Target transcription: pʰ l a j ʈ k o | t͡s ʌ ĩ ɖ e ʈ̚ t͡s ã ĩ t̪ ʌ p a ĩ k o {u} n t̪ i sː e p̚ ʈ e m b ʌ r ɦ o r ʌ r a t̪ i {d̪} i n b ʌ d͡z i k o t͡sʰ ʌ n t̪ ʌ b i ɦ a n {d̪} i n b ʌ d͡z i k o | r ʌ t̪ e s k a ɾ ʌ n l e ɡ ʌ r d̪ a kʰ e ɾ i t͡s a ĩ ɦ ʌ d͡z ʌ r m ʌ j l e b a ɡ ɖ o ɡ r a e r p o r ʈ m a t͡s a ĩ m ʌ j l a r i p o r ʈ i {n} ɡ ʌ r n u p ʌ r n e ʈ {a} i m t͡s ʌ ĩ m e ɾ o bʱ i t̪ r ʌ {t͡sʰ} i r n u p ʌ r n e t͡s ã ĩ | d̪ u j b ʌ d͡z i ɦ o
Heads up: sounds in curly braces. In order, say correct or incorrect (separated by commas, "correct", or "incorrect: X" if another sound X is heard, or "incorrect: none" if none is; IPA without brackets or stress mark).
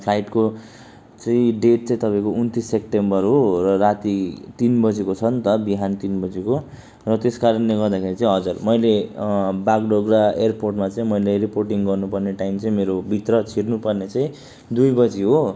correct, incorrect: t̪, incorrect: t̪, incorrect: ŋ, correct, correct